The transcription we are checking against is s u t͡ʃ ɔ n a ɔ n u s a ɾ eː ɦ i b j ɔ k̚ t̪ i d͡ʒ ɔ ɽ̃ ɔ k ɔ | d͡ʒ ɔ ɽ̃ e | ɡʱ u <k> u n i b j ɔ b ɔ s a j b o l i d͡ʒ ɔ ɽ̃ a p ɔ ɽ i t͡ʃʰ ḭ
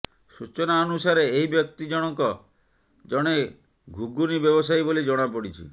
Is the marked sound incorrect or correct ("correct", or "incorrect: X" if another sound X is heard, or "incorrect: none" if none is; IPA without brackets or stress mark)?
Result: incorrect: ɡ